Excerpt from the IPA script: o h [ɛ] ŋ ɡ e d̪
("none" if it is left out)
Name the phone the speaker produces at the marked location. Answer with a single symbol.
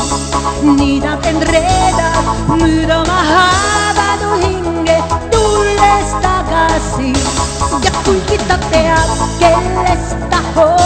i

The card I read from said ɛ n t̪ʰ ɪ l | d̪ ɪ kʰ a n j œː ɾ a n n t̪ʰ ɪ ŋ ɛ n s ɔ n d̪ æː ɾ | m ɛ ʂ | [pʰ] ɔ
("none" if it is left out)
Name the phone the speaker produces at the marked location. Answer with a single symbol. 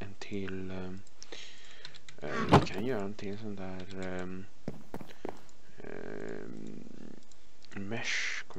kʰ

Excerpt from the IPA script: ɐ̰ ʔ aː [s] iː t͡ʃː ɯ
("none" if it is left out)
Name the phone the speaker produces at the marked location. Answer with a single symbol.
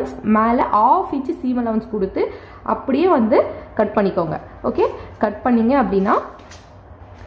f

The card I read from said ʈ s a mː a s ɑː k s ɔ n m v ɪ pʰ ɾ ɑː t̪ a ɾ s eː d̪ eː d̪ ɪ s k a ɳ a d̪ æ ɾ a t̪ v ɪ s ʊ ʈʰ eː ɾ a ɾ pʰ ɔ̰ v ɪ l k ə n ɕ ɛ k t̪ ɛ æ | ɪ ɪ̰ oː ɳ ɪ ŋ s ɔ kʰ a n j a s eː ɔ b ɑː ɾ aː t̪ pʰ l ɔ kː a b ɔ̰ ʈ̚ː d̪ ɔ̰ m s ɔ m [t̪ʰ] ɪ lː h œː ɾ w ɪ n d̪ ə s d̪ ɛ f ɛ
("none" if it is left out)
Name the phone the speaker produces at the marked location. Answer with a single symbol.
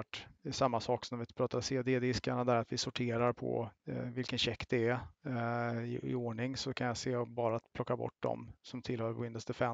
t̪ʰ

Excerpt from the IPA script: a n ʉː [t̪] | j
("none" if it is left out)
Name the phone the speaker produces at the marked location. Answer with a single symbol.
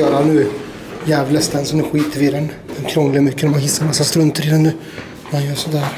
none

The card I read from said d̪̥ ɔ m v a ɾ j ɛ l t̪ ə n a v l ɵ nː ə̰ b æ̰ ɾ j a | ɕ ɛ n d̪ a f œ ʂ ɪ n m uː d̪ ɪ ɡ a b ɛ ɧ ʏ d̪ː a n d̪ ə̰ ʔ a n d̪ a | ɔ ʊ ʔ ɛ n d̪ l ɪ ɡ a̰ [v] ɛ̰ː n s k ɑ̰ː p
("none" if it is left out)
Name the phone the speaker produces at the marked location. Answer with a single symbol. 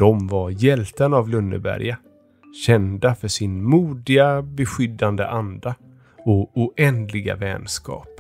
v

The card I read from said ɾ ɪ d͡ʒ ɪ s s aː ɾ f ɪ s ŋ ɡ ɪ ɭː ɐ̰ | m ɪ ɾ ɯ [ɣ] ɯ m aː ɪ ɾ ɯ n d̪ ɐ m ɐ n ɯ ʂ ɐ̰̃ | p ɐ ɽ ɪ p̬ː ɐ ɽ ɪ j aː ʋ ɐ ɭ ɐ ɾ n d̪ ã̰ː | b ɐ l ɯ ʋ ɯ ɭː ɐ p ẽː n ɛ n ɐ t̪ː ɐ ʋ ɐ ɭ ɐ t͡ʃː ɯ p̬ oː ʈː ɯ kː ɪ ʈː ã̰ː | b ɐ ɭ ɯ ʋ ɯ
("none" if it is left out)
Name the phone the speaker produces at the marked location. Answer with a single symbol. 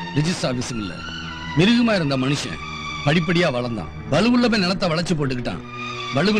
ɣ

